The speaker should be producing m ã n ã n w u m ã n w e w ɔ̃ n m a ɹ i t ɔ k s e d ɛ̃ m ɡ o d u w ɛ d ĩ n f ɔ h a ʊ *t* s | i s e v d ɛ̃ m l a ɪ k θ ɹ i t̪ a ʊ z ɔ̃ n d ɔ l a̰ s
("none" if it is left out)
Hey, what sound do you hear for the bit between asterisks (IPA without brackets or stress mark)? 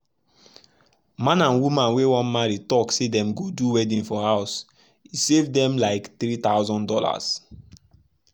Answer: none